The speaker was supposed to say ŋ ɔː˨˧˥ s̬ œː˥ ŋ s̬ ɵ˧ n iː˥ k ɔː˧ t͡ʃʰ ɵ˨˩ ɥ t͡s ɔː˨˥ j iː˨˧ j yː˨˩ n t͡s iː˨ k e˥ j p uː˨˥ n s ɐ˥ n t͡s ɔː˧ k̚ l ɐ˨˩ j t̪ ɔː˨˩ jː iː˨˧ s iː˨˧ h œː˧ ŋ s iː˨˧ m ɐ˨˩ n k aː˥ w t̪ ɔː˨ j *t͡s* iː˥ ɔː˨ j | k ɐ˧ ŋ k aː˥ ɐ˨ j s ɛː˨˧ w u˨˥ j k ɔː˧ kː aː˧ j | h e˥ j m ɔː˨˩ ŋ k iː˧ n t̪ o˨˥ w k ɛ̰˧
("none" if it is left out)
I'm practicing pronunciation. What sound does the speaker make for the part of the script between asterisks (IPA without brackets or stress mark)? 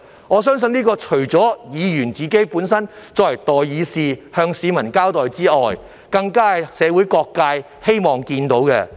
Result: t͡s